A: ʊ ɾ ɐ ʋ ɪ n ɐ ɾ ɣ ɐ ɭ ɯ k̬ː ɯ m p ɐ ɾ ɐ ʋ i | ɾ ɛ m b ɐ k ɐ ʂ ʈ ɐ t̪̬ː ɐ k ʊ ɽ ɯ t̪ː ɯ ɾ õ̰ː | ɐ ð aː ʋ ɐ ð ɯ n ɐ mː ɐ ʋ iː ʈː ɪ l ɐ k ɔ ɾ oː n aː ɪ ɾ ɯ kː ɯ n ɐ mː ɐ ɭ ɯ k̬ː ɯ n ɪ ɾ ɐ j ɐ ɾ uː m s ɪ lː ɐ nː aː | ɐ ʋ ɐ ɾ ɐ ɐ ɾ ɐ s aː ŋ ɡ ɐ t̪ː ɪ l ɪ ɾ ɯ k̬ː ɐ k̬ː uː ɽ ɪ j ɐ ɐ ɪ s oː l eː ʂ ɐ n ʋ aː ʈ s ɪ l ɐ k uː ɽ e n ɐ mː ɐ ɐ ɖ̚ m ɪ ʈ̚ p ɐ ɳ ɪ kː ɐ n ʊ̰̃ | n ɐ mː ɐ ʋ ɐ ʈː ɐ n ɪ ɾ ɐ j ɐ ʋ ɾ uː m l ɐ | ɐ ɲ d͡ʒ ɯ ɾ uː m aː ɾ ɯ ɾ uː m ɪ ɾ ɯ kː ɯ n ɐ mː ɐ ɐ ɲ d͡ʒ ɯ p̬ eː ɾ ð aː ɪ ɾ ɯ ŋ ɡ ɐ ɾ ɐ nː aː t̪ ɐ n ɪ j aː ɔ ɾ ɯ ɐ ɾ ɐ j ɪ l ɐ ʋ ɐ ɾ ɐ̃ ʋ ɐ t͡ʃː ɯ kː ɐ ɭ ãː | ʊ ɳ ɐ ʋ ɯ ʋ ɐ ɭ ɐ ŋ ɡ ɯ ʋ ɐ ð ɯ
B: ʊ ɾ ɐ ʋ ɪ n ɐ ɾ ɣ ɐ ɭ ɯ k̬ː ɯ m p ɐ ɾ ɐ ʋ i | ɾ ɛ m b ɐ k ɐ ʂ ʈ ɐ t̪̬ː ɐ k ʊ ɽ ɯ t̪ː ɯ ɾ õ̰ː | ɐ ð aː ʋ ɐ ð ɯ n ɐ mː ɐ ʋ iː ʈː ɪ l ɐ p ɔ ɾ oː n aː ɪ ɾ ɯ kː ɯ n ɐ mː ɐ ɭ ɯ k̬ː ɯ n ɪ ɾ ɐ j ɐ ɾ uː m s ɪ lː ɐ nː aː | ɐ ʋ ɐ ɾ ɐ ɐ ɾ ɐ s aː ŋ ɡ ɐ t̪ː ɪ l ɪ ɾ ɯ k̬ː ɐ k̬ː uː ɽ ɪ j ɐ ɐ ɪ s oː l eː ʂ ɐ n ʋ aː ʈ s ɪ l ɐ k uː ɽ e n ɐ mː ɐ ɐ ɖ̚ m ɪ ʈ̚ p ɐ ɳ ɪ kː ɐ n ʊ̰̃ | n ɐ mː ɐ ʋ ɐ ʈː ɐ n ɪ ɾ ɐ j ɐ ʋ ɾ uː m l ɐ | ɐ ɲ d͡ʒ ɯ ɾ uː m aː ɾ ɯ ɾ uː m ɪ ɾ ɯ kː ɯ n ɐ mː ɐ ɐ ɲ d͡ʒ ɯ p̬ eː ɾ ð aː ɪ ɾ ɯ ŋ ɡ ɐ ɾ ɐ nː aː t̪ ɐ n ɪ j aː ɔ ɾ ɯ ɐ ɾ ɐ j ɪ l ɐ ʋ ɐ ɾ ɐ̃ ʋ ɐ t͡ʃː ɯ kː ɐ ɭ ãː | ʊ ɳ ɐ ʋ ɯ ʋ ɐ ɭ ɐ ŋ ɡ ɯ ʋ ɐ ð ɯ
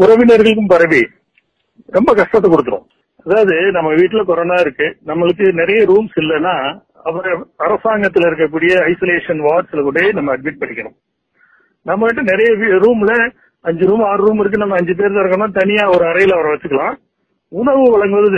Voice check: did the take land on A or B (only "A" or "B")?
A